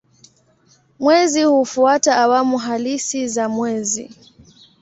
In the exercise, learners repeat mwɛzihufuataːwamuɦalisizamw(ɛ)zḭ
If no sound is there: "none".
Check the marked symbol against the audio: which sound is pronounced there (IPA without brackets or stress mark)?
ɛ